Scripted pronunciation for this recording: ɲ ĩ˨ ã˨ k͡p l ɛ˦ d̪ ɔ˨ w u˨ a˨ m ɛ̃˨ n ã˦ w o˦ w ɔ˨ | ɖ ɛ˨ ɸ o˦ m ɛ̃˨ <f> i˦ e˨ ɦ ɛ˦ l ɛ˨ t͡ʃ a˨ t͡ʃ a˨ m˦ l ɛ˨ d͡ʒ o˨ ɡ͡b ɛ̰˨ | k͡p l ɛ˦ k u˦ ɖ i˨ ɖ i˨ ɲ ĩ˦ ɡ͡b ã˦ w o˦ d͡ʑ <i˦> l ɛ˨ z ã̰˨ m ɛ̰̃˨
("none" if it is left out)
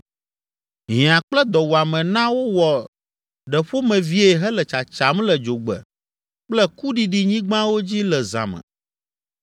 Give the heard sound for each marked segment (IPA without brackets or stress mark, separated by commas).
v, i˦